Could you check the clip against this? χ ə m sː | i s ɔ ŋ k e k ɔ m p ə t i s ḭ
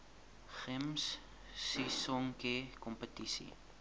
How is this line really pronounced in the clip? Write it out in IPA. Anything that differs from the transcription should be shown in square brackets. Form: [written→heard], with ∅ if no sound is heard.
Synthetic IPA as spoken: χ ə m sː | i s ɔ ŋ k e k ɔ m p ə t i s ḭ